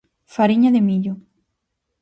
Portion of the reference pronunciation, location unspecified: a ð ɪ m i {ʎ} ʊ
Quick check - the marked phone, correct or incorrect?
correct